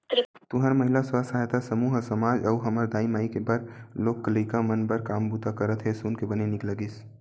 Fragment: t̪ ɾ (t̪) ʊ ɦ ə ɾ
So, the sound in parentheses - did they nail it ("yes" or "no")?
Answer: yes